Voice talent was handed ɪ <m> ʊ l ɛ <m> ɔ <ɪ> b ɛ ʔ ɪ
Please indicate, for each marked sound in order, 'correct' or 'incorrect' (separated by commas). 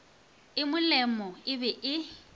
correct, correct, correct